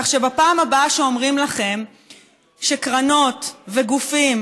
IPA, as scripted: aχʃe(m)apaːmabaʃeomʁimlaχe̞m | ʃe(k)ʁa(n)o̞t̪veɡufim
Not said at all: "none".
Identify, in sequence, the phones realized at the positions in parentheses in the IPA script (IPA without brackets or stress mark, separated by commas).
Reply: b, k, n